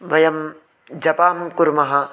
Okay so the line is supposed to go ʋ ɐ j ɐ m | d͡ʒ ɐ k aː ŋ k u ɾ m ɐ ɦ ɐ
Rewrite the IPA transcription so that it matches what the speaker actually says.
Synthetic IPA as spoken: ʋ ɐ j ɐ m | d͡ʒ ɐ p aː m k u ɾ m ɐ ɦ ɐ